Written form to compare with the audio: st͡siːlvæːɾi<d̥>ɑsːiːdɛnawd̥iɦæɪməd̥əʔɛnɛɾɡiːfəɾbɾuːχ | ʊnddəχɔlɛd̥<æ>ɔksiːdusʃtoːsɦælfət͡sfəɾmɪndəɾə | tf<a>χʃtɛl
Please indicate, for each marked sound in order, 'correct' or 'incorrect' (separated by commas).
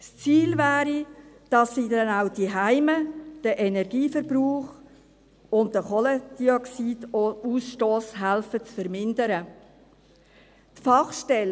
correct, incorrect, incorrect